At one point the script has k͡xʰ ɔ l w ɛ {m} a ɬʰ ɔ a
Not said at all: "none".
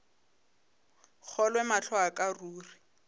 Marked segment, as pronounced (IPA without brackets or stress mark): m